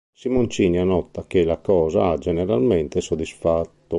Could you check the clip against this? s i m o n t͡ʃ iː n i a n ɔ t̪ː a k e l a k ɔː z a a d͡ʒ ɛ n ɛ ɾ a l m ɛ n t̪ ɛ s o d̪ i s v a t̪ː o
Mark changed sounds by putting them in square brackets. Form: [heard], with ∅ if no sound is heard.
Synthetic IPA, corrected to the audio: s i m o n t͡ʃ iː n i a n ɔ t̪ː a k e l a k ɔː z a a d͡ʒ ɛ n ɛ ɾ a l m ɛ n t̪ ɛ s o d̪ i s [f] a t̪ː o